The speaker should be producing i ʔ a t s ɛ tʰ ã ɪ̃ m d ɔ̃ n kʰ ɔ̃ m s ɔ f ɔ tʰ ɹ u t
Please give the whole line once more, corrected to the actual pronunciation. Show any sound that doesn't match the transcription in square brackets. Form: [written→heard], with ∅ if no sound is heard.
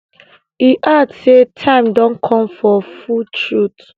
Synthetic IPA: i ʔ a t s [ɛ→e] tʰ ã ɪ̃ m d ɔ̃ n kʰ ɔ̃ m [s→f] ɔ f [ɔ→u] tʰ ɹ u t